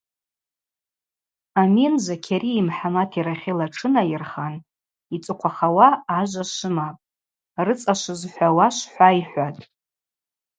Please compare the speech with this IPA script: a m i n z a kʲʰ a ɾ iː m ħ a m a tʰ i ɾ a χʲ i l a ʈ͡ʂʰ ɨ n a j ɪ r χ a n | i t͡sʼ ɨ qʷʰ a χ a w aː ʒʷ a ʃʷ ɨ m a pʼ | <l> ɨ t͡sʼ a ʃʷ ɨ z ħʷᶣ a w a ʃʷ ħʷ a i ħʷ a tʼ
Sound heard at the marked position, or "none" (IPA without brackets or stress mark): r